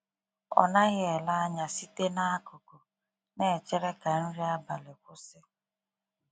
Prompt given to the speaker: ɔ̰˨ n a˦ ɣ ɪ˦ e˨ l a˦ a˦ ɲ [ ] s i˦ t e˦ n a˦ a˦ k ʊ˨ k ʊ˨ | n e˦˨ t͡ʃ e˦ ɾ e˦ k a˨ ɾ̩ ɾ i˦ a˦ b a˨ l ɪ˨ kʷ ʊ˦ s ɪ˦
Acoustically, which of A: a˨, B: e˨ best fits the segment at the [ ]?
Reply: A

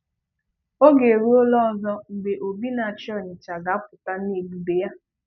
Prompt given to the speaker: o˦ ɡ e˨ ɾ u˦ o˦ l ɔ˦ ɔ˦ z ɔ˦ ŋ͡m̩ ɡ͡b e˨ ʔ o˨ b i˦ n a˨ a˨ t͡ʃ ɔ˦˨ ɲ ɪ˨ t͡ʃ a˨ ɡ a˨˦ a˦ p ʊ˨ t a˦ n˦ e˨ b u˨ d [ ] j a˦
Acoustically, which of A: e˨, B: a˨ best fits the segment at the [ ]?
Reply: A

